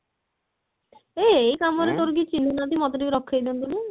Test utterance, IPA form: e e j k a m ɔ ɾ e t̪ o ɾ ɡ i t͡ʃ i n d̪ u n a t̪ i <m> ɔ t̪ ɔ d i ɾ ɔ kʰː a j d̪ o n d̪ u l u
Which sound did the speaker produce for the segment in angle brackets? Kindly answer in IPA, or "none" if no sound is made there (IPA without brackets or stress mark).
m